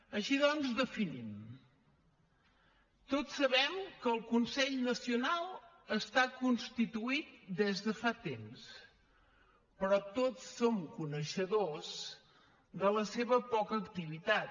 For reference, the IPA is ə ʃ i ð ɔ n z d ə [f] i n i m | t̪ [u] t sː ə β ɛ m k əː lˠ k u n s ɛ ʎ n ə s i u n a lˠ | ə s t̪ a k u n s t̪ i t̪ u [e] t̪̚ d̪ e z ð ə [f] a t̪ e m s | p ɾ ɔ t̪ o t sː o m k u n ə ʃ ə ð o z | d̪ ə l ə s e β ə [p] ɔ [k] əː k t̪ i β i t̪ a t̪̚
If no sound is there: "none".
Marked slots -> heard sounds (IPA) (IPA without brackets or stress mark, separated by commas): f, o, i, f, p, k